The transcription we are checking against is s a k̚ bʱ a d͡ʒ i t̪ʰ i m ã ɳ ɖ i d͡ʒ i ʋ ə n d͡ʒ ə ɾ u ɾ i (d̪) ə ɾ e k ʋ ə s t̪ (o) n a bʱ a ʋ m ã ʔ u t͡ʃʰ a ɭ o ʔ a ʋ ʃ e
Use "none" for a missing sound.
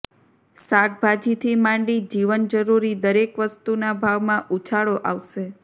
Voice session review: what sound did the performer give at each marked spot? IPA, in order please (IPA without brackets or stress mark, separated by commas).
d̪, u